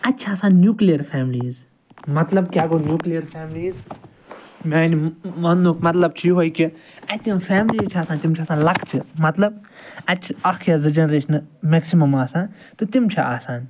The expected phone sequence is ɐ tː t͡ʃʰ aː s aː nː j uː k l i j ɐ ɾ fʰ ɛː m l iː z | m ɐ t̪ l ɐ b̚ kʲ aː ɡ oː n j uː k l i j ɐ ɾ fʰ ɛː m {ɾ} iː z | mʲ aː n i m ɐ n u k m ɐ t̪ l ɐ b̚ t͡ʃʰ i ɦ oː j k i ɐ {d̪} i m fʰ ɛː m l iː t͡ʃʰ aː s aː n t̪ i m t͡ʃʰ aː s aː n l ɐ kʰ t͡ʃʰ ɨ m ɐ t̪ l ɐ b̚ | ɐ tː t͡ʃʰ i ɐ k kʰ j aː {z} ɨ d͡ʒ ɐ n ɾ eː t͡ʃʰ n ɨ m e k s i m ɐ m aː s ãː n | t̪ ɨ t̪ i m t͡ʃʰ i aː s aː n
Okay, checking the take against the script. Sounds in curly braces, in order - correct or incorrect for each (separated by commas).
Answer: incorrect, incorrect, correct